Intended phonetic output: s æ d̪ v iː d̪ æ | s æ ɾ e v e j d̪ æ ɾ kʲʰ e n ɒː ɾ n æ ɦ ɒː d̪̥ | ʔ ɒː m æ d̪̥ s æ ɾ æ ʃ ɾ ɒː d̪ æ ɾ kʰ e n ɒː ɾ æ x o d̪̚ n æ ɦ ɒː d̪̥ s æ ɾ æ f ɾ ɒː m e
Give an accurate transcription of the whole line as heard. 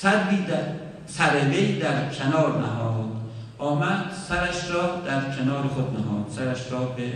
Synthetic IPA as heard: s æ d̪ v iː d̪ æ | s æ ɾ e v e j d̪ æ ɾ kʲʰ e n ɒː ɾ n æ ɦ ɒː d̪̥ | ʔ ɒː m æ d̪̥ s æ ɾ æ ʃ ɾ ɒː d̪ æ ɾ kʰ e n ɒː ɾ e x o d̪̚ n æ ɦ ɒː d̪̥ s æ ɾ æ ʃ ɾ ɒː b e